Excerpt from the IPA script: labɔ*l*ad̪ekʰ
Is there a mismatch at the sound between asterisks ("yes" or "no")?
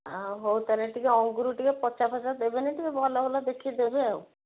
no